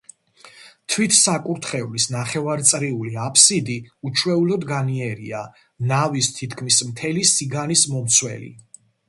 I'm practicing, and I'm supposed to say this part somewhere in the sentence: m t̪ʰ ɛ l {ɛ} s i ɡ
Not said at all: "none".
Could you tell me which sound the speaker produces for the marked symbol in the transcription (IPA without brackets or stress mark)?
i